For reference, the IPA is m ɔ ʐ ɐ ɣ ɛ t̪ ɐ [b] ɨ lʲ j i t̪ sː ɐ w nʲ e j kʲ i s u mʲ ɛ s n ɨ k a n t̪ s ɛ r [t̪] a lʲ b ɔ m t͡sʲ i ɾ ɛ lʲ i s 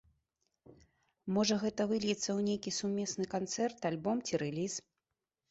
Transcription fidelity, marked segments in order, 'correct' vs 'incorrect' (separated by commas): incorrect, correct